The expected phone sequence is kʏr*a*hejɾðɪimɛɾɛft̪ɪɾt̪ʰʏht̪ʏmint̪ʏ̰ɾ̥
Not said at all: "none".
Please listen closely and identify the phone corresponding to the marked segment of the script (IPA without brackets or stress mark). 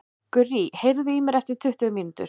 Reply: i